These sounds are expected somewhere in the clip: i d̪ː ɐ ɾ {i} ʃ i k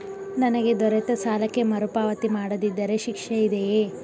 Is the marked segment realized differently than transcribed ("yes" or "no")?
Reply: yes